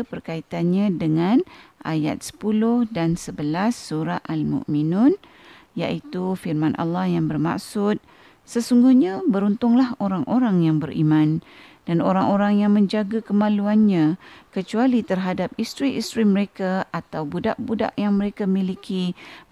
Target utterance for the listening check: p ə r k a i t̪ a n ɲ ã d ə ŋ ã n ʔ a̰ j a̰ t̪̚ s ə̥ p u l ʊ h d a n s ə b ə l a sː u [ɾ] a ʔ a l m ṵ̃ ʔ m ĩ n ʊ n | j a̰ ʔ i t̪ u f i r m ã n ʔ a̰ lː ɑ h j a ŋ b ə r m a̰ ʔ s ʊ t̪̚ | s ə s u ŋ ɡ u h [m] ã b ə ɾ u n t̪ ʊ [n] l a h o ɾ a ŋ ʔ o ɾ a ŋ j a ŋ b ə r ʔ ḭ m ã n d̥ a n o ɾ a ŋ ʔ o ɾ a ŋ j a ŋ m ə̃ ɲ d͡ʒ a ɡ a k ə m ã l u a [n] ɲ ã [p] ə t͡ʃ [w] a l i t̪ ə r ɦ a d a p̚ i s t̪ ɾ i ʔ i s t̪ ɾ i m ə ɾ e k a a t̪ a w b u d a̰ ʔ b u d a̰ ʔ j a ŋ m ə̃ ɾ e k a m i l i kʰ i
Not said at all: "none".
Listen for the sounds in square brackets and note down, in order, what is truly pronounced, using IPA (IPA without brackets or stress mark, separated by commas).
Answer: ɾ, ɲ, ŋ, n, k, u